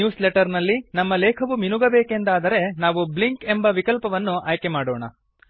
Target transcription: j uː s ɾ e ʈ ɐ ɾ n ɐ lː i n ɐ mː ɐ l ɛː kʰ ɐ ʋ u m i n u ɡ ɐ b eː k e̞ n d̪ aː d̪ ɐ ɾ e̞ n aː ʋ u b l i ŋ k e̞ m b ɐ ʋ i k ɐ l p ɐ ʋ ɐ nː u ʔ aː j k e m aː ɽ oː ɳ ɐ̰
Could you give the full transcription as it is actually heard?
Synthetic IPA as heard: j uː s l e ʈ ɐ ɾ n ɐ lː i n ɐ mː ɐ l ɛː kʰ ɐ ʋ u m i n u ɡ ɐ b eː k e̞ n d̪ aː d̪ ɐ ɾ e̞ n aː ʋ u b l i ŋ k e̞ m b ɐ ʋ i k ɐ l p ɐ ʋ ɐ nː u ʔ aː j k e m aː ɽ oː ɳ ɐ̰